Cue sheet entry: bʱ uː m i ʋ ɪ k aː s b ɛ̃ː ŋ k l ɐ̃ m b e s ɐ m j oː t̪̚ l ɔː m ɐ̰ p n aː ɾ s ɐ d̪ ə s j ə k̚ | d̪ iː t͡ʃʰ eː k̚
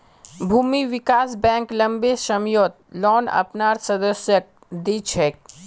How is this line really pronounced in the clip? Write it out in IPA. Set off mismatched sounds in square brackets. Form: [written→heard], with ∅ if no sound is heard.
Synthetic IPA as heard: bʱ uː m i ʋ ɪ k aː s b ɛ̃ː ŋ k l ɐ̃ m b e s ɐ m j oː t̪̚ l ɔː [m→n] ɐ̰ p n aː ɾ s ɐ d̪ ə s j ə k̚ | d̪ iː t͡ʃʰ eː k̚